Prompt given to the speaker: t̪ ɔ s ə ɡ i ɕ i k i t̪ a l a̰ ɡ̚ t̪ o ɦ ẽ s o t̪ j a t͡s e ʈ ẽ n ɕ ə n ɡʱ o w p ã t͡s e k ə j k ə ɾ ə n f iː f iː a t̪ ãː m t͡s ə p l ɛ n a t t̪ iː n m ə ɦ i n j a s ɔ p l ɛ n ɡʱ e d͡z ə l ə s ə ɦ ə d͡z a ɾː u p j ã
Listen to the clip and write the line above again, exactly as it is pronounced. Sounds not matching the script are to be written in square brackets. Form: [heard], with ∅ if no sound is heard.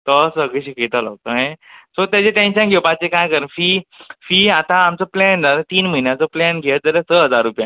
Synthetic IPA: t̪ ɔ s ə ɡ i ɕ i k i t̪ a l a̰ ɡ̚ t̪ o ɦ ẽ s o t̪ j a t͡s e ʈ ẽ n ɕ ə n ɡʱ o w p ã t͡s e k [a] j k ə ɾ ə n f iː f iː a t̪ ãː m t͡s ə p l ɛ n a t t̪ iː n m ə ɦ i n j a [t͡s] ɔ p l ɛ n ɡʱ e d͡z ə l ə s ə ɦ ə d͡z a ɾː u p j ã